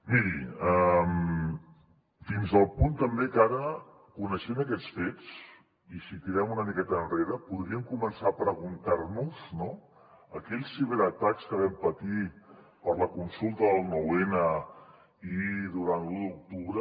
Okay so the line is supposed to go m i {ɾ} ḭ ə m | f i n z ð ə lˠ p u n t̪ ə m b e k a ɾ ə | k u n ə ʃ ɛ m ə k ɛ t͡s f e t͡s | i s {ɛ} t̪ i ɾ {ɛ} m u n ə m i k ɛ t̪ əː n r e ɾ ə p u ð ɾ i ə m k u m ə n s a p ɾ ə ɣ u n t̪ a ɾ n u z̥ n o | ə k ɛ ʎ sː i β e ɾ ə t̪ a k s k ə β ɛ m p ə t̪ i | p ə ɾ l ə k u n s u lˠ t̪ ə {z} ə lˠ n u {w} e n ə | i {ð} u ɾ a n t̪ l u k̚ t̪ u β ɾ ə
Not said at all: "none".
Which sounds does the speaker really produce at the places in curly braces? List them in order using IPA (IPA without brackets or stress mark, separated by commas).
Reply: ɾ, i, ɛ, ð, w, ð